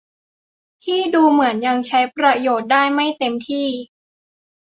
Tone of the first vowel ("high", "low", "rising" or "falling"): falling